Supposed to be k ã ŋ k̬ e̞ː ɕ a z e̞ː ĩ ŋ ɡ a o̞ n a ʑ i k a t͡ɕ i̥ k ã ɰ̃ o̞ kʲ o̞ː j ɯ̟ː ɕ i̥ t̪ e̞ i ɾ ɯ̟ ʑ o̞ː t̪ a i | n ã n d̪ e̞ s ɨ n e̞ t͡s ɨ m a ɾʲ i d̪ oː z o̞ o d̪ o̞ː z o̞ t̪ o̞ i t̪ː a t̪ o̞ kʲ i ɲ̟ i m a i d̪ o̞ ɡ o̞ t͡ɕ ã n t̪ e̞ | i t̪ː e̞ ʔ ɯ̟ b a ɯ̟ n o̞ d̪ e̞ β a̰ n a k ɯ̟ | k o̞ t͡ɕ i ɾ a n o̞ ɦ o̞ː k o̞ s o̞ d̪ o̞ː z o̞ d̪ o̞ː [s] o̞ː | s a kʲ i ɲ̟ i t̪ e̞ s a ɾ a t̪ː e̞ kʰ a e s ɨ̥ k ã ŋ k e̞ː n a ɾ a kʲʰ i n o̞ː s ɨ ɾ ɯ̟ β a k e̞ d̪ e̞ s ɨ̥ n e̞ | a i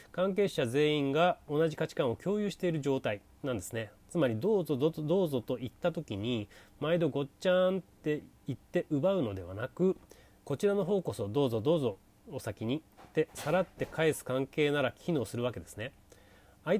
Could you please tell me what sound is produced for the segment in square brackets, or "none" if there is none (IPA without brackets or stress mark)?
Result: z